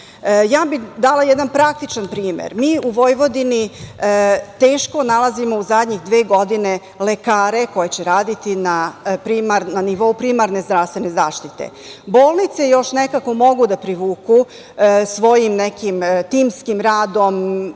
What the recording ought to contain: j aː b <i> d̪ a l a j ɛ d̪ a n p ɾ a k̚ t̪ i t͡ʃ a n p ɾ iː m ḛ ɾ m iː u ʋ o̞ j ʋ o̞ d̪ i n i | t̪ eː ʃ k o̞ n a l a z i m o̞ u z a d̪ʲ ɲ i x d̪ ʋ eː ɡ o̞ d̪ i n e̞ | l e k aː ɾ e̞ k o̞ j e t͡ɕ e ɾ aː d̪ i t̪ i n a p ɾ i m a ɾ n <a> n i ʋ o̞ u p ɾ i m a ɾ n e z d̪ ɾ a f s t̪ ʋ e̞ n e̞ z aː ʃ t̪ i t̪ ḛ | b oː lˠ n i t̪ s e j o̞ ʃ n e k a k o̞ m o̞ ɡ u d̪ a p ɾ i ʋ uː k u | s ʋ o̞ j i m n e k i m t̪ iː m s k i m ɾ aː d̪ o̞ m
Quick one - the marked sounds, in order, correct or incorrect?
correct, correct

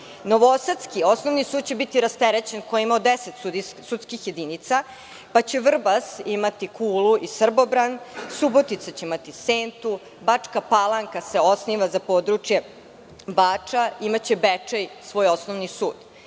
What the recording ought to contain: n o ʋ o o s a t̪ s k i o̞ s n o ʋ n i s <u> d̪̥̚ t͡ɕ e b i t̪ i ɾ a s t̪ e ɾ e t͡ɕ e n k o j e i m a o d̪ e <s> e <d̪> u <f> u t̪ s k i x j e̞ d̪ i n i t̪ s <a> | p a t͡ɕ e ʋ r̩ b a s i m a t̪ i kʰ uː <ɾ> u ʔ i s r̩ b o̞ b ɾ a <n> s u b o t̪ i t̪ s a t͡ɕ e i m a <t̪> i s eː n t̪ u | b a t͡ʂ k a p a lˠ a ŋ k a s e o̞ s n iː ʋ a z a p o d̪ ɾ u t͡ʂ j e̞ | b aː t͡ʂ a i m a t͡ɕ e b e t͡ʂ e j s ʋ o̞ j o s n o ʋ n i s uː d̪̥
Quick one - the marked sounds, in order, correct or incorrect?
incorrect: uː, correct, incorrect: t̪, incorrect: s, correct, incorrect: l, correct, correct

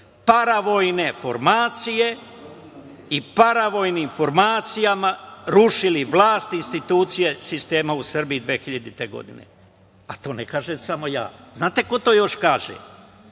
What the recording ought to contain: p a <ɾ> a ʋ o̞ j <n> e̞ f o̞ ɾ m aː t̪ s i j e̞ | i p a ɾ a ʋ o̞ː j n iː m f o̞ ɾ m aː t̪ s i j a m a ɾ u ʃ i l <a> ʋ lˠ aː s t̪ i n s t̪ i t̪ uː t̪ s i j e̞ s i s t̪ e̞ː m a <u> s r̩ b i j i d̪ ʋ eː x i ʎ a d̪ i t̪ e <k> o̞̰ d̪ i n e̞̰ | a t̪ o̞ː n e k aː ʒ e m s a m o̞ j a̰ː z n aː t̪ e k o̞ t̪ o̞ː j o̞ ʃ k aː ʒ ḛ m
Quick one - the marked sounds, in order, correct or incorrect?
correct, correct, incorrect: i, correct, incorrect: ɡ

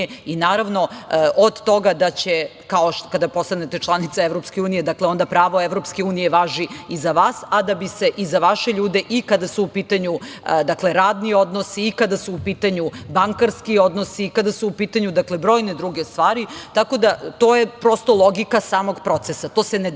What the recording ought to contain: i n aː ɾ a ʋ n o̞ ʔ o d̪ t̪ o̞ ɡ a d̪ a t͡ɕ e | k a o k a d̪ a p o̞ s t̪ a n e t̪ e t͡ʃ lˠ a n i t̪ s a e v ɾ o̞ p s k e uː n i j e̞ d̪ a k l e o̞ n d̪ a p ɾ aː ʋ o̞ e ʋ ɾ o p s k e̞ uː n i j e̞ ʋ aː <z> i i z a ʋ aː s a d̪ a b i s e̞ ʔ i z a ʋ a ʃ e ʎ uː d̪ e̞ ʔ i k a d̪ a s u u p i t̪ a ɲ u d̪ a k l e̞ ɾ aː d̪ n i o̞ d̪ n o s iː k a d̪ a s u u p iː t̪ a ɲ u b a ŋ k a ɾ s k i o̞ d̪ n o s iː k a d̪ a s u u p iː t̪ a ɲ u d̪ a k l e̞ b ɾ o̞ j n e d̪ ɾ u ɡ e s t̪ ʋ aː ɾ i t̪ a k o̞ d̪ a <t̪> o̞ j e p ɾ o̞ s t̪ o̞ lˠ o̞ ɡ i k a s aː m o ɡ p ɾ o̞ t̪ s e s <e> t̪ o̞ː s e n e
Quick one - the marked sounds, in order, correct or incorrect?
incorrect: ʒ, correct, incorrect: a

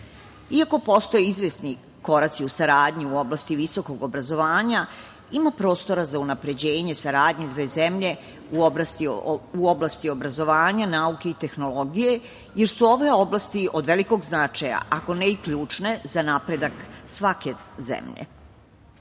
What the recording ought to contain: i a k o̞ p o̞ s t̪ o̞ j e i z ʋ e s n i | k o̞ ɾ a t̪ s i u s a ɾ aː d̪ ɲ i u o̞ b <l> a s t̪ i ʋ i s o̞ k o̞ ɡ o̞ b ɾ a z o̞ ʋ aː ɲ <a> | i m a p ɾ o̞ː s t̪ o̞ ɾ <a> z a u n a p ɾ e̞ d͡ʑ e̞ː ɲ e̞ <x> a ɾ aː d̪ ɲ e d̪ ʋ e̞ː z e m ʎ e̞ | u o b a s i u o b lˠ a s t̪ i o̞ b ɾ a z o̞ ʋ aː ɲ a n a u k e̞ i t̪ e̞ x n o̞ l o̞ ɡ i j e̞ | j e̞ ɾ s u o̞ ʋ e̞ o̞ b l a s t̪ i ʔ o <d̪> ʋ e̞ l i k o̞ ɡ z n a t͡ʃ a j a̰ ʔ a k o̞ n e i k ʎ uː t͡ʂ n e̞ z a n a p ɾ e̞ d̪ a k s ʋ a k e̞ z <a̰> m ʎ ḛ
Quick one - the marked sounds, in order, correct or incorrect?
correct, correct, correct, incorrect: s, correct, incorrect: ḛ

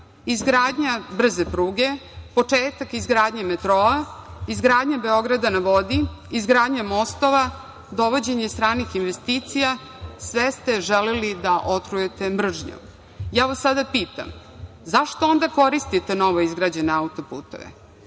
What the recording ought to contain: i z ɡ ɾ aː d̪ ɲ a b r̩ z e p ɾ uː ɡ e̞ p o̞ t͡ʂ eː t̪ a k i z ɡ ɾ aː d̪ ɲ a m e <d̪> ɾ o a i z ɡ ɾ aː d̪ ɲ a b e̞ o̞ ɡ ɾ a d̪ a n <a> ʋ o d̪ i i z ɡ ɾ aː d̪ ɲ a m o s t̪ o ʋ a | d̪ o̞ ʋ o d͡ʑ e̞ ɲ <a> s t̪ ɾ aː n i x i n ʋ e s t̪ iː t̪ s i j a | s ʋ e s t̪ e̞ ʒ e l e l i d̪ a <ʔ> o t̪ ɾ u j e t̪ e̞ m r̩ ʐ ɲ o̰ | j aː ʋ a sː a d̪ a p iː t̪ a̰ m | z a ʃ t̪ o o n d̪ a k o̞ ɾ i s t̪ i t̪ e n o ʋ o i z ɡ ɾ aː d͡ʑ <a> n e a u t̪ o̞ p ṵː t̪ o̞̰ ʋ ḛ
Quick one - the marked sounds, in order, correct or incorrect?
incorrect: t̪, correct, incorrect: e, correct, incorrect: e

